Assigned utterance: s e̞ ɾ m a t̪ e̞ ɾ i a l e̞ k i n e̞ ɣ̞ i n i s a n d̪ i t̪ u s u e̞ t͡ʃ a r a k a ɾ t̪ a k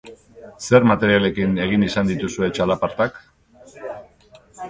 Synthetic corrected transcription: s e̞ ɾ m a t̪ e̞ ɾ i a l e̞ k i n e̞ ɣ̞ i n i s a n d̪ i t̪ u s u e̞ t͡ʃ a l a p a ɾ t̪ a k